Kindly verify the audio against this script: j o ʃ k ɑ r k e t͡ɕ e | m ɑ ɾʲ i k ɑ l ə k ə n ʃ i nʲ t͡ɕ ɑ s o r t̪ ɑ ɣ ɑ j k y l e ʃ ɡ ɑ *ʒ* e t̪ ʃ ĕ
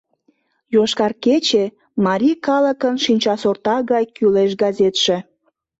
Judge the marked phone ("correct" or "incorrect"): incorrect